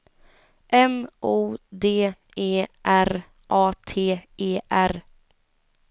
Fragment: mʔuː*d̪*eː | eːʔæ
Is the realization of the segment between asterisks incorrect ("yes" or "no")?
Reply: no